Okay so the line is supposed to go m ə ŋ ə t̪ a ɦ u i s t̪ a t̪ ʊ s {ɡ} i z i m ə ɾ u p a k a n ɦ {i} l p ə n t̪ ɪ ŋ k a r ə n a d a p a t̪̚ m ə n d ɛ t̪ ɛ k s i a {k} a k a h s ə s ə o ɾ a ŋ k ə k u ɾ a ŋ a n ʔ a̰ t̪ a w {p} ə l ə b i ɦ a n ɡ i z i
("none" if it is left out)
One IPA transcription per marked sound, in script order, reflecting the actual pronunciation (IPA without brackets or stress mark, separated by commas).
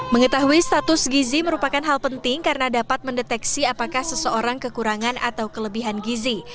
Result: ɡ, a, p, k